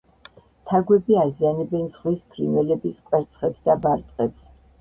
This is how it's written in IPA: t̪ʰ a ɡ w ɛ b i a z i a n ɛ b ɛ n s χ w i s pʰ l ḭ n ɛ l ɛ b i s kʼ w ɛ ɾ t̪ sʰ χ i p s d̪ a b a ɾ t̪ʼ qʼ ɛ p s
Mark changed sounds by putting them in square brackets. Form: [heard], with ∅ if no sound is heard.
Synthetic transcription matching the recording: t̪ʰ a ɡ w ɛ b i a z i a n ɛ b ɛ n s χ w i s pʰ [ɾ] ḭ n ɛ l ɛ b i s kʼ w ɛ ɾ t̪ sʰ χ [ɛ] p s d̪ a b a ɾ t̪ʼ qʼ ɛ p s